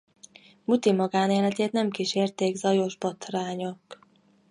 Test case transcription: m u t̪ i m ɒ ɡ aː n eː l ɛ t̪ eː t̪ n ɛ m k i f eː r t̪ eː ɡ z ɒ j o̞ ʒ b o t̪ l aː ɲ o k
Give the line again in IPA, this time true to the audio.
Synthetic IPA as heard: m u t̪ i m ɒ ɡ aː n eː l ɛ t̪ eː t̪ n ɛ m k i ʃ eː r t̪ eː ɡ z ɒ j o̞ ʒ b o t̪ r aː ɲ o k